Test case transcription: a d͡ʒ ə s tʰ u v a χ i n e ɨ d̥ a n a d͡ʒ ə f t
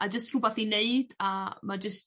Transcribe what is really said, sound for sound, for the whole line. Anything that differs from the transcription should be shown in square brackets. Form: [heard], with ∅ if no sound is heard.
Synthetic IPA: a d͡ʒ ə s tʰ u [b] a [θ] i n e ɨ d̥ a [m] a d͡ʒ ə [s] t